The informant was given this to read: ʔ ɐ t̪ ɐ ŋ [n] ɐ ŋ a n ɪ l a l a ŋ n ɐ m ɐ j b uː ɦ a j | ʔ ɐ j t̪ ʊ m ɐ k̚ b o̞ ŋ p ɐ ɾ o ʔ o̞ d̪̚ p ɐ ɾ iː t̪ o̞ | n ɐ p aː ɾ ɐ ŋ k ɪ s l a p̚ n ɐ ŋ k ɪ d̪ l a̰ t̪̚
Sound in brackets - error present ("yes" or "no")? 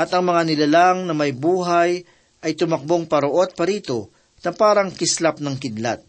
yes